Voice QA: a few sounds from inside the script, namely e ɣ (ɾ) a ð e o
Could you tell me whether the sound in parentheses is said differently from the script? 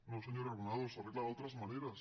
yes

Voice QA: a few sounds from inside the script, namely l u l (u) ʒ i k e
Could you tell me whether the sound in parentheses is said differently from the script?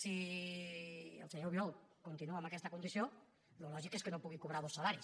yes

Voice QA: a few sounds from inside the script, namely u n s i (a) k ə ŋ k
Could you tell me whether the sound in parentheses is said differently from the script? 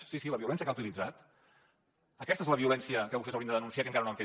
no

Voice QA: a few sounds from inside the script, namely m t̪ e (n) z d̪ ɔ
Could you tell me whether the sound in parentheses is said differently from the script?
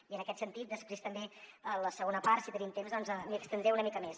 yes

